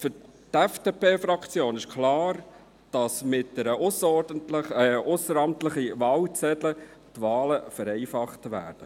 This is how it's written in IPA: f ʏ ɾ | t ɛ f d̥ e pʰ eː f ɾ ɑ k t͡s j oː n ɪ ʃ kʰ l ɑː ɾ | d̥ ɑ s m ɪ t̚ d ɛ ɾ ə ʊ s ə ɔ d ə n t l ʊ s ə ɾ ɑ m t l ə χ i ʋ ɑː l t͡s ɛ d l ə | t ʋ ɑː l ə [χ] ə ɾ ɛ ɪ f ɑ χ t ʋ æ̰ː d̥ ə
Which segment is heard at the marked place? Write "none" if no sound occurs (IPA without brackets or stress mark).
f